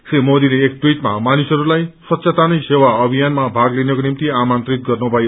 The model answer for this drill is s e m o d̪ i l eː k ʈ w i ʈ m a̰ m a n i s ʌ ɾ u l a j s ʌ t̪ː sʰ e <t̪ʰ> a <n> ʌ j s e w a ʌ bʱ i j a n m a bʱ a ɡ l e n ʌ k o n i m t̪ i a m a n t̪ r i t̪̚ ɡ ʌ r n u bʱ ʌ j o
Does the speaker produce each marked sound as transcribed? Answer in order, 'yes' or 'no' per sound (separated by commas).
no, yes